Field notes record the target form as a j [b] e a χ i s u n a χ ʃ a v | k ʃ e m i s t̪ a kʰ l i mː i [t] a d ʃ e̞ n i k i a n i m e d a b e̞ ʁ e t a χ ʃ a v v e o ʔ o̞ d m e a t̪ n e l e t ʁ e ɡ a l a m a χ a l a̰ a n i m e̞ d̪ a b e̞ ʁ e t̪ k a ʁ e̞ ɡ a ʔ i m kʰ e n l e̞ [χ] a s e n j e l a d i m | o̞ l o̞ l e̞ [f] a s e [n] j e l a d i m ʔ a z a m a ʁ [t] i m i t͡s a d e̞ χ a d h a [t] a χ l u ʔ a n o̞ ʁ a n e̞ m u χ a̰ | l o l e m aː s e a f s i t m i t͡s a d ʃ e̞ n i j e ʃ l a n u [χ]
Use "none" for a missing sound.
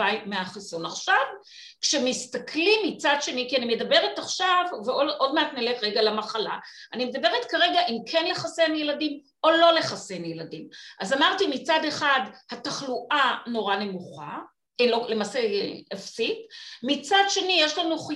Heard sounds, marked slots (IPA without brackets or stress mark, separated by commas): m, t͡s, χ, χ, n, t, t, χ